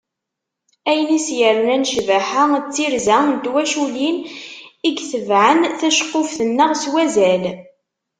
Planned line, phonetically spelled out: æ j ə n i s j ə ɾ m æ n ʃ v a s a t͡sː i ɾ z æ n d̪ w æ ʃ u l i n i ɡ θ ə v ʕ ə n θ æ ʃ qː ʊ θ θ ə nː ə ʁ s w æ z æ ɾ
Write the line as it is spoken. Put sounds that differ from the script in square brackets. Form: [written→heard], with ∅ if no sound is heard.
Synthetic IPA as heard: æ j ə n i s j ə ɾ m æ n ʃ v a [s→ħ] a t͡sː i ɾ z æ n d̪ w æ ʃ u l i n i ɡ θ ə v ʕ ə n θ æ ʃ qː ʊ [θ→f] θ ə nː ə ʁ s w æ z æ [ɾ→l]